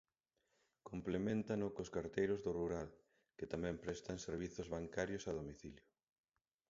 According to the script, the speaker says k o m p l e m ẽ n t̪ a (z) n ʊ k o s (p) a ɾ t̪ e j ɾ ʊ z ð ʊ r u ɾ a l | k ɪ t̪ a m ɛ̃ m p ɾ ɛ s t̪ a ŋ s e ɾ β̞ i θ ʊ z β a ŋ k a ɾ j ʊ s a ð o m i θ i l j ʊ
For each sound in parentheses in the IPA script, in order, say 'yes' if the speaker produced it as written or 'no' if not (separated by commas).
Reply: no, no